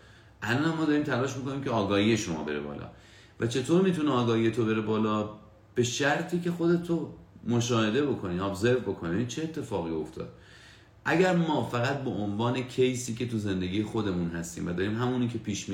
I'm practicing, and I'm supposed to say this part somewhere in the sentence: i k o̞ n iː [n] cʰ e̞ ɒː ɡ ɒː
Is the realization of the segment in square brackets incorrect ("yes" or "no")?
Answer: yes